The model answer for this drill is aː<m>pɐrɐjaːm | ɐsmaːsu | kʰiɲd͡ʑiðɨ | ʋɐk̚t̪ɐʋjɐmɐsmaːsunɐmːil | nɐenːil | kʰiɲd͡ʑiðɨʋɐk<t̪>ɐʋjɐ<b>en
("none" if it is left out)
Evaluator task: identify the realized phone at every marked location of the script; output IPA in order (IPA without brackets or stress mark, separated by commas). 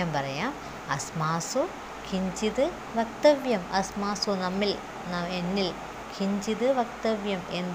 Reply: m, t̪, m